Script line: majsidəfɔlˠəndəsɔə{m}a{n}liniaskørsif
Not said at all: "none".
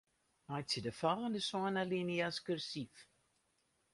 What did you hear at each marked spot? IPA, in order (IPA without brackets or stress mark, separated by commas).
n, none